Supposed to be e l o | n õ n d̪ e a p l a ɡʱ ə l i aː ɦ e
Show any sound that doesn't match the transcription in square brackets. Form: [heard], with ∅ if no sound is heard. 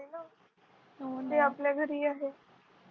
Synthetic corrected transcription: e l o | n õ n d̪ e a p l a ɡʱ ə [ɾ] i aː ɦ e